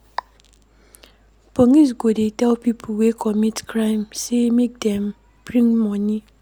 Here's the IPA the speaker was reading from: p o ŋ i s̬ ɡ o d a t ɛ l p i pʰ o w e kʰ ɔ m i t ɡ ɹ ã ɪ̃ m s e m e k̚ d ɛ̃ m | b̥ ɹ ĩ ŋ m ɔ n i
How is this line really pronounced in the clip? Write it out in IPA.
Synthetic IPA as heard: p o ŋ i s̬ ɡ o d e t ɛ l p i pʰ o w e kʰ ɔ m i t k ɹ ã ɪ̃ m s e m e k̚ d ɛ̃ m | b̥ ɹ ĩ ŋ m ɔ n i